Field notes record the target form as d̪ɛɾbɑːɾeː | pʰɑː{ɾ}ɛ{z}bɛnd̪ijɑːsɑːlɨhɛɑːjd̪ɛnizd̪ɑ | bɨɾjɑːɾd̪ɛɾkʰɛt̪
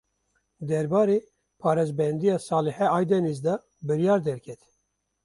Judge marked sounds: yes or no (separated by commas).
yes, yes